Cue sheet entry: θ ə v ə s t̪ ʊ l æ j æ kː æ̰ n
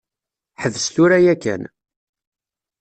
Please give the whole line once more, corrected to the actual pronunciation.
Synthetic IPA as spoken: ħ ə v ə s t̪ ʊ ɾ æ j æ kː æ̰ n